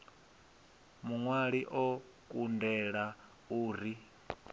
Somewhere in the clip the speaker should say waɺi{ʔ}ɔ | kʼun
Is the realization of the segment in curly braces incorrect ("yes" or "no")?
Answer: no